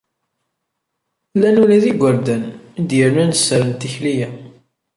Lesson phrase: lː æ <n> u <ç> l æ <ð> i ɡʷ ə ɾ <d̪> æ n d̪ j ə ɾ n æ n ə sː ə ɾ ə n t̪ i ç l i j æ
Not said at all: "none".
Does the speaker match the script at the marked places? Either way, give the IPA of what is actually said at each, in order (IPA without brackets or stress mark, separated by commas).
n, none, ð, d̪